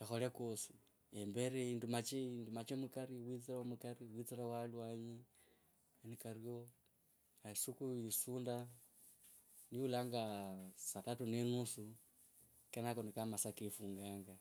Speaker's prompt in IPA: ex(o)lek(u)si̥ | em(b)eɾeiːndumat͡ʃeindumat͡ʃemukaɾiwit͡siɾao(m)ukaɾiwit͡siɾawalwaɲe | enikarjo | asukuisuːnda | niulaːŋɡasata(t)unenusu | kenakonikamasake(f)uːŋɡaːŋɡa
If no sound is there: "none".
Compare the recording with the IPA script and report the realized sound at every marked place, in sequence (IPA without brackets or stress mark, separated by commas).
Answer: o, o, b, m, t, f